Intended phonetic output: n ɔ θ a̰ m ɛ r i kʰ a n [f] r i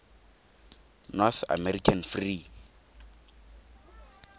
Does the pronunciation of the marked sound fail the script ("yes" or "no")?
no